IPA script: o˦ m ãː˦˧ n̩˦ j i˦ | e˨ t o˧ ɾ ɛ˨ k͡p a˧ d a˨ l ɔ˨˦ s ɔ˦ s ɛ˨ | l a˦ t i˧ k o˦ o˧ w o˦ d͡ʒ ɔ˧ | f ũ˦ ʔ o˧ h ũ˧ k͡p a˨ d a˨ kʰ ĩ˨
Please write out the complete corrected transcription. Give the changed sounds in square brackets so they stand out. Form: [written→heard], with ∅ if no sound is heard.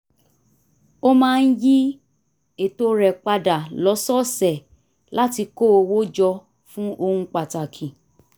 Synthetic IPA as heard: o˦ m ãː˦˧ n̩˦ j i˦ | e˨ t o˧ ɾ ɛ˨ k͡p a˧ d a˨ l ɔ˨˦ s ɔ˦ s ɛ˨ | l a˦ t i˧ k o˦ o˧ w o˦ d͡ʒ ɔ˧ | f ũ˦ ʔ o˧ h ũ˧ k͡p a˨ [d→t] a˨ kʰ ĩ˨

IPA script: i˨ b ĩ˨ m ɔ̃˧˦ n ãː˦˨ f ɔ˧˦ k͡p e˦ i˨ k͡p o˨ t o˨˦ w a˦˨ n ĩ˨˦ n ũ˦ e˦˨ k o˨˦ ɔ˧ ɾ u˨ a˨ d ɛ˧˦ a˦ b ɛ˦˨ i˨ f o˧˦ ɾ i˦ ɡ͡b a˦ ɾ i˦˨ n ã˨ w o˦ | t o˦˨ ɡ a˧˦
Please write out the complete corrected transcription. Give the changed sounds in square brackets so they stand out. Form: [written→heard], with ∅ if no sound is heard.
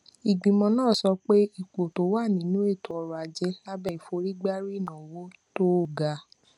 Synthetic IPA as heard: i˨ [b→ɡ͡b] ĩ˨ m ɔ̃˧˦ n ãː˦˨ [f→s] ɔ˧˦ k͡p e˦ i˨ k͡p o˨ t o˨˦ w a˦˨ n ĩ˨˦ n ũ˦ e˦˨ [k→t] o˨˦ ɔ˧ ɾ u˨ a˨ [d→d͡ʒ] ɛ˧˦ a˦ b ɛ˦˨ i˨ f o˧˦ ɾ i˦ ɡ͡b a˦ ɾ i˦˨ n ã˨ w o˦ | t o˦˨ ɡ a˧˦

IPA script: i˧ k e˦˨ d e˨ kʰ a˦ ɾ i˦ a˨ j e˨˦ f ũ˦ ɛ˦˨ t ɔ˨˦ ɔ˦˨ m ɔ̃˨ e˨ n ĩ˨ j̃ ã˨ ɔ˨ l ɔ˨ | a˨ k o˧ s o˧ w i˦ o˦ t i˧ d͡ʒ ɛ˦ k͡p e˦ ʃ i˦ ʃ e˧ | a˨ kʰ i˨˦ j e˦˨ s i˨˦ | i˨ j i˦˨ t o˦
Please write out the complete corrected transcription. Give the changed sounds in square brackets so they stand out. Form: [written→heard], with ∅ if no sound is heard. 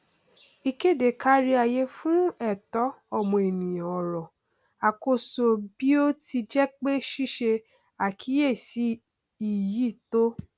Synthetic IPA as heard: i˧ k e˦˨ d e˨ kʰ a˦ ɾ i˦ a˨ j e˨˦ f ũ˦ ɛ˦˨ t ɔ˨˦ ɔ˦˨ m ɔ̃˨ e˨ n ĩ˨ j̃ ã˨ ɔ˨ [l→ɾ] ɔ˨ | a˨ k o˧ s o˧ [w→b] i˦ o˦ t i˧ d͡ʒ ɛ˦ k͡p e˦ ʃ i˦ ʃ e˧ | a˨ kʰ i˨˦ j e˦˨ s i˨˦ | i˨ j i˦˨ t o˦

